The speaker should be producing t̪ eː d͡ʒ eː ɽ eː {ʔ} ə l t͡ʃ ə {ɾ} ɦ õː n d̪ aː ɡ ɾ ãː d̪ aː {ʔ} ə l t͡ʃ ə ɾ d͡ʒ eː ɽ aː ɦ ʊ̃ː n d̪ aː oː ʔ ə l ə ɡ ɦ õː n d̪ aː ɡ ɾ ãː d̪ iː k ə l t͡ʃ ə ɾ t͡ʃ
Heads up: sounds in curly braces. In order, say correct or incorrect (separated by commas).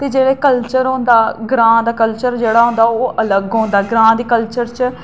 incorrect, correct, incorrect